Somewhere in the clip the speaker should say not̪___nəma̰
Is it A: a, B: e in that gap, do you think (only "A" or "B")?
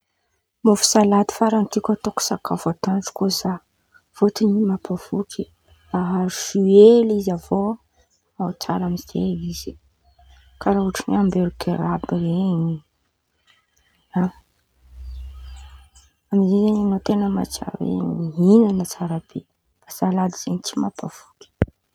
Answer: B